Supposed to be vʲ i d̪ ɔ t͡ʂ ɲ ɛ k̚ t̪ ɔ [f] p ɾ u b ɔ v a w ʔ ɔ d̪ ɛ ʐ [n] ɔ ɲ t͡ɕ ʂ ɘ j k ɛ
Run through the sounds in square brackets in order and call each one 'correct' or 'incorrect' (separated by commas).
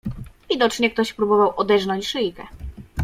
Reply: incorrect, correct